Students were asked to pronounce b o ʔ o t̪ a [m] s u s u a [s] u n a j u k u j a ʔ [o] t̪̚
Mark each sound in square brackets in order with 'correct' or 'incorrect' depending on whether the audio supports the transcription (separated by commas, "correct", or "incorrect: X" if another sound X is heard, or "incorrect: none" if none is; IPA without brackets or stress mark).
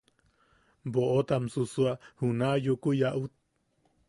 correct, incorrect: h, incorrect: u